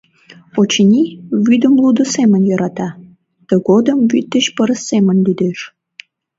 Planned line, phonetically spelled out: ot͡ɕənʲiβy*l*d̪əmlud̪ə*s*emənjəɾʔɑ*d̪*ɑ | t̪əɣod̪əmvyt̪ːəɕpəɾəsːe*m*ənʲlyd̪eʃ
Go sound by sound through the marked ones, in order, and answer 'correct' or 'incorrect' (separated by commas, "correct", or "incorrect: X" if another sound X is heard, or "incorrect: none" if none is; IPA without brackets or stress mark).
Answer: incorrect: none, correct, incorrect: t̪, correct